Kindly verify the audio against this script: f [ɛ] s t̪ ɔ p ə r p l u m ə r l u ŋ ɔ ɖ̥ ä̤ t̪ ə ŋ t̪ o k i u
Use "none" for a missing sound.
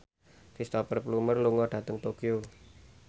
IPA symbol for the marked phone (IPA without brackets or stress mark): i